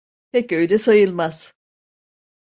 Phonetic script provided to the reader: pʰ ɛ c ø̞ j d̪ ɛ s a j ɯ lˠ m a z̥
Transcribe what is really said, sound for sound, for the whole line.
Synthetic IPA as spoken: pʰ ɛ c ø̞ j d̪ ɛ s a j ɯ lˠ m a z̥